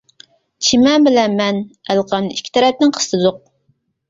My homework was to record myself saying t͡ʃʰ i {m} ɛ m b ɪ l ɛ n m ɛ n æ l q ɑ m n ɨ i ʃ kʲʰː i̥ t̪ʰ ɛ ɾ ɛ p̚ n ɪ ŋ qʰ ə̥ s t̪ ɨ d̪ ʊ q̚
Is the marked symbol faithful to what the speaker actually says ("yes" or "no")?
yes